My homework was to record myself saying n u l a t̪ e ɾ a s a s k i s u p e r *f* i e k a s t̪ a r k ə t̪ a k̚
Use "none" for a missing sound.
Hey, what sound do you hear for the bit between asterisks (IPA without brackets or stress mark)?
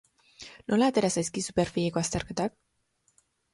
f